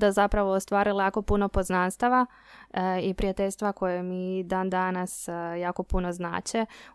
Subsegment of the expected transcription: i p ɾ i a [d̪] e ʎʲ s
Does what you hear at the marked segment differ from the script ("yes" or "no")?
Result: yes